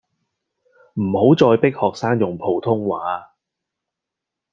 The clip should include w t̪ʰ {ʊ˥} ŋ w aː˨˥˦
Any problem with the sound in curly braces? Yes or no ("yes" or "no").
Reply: no